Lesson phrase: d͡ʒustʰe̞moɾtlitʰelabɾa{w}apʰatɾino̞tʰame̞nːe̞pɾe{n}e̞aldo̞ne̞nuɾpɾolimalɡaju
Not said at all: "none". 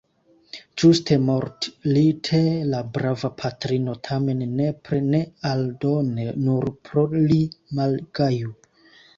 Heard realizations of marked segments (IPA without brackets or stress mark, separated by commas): v, n